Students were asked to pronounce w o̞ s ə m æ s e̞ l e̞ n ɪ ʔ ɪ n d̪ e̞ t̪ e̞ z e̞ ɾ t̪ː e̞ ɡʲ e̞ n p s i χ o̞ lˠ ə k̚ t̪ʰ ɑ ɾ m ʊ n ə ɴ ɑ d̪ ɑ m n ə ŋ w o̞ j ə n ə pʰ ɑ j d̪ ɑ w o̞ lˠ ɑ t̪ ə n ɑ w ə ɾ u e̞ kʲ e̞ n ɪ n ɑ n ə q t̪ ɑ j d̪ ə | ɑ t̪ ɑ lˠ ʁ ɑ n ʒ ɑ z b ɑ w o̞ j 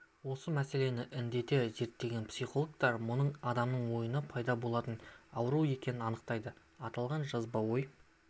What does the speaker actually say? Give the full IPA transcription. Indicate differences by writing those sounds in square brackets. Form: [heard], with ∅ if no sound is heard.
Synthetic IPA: w o̞ s ə m æ s e̞ l e̞ n ɪ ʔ ɪ n d̪ e̞ t̪ e̞ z e̞ ɾ t̪ː e̞ ɡʲ e̞ n p s i χ o̞ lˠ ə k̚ [t̪] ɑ ɾ m ʊ n ə ɴ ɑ d̪ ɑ m n ə [ɴ] w o̞ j ə n ə pʰ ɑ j d̪ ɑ [b] o̞ lˠ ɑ t̪ ə n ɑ w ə ɾ u e̞ kʲ e̞ n ɪ n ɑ n ə q t̪ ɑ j d̪ ə | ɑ t̪ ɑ lˠ ʁ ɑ n ʒ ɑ z b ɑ w o̞ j

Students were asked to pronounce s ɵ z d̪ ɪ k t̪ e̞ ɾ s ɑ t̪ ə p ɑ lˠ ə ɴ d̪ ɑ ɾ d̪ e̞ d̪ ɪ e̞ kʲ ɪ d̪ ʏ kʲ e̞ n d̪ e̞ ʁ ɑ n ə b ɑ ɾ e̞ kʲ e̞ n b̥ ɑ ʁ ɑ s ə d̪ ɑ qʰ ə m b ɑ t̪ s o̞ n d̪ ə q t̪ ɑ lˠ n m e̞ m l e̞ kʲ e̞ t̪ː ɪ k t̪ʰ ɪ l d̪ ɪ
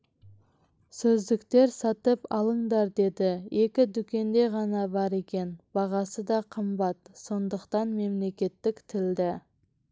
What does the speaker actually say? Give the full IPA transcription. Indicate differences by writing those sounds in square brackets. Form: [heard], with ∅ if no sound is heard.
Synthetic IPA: s ɵ z d̪ ɪ k t̪ e̞ ɾ s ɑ t̪ ə p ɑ lˠ ə ɴ d̪ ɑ ɾ d̪ e̞ d̪ ɪ e̞ kʲ ɪ d̪ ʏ kʲ e̞ n d̪ e̞ ʁ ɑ n [ɑ] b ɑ ɾ e̞ kʲ e̞ n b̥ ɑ ʁ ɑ s ə d̪ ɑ qʰ ə m b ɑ t̪ s o̞ n d̪ ə q t̪ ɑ [∅] n m e̞ m l e̞ kʲ e̞ t̪ː ɪ k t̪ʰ ɪ l d̪ ɪ

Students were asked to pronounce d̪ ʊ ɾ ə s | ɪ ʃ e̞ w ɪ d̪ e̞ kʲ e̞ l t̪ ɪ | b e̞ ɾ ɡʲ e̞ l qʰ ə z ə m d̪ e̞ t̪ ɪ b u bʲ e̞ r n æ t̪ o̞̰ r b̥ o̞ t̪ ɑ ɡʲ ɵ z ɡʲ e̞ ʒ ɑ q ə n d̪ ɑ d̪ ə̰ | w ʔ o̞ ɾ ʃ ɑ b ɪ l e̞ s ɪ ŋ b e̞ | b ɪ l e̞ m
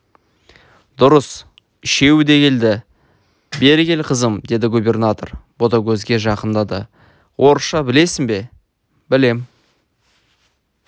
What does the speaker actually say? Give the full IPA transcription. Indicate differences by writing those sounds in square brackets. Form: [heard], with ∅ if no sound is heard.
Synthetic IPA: d̪ ʊ ɾ ə s | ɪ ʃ e̞ w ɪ d̪ e̞ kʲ e̞ l [d̪] ɪ | b e̞ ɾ ɡʲ e̞ l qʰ ə z ə m d̪ e̞ [d̪] ɪ [ɡ] u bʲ e̞ r n [a] t̪ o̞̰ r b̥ o̞ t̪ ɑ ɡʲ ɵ z ɡʲ e̞ ʒ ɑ q ə n d̪ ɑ d̪ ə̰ | w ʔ o̞ ɾ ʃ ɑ b ɪ l e̞ s ɪ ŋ b e̞ | b ɪ l e̞ m

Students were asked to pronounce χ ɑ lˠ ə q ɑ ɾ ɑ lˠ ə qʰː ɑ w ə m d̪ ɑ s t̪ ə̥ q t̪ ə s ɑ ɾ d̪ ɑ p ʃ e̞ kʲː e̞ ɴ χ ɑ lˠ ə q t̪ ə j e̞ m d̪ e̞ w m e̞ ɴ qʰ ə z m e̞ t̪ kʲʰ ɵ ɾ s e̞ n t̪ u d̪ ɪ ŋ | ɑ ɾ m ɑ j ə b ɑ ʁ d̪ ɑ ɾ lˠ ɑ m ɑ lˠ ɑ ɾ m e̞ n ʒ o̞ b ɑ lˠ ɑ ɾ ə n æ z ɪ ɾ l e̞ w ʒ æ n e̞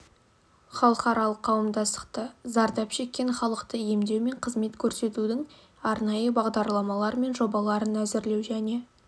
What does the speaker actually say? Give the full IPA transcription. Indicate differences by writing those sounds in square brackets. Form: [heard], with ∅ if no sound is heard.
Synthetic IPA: χ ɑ lˠ ə q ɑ ɾ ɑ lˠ ə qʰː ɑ w ə m d̪ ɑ s t̪ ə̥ q t̪ ə [z] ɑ ɾ d̪ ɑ p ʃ e̞ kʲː e̞ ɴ χ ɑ lˠ ə q t̪ ə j e̞ m d̪ e̞ w m e̞ ɴ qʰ ə z m e̞ t̪ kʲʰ ɵ ɾ s e̞ [∅] t̪ u d̪ ɪ ŋ | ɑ ɾ [n] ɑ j ə b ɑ ʁ d̪ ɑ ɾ lˠ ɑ m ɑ lˠ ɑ ɾ m e̞ n ʒ o̞ b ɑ lˠ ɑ ɾ ə n æ z ɪ ɾ l e̞ w ʒ æ n e̞

